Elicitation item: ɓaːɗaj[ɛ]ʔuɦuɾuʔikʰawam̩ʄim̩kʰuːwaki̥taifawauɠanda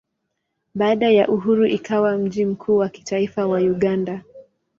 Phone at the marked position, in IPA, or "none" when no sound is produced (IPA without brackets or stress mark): a